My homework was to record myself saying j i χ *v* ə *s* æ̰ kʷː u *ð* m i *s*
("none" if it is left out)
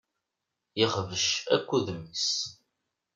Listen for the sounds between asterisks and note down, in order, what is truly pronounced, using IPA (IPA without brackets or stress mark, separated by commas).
v, ʃ, ð, s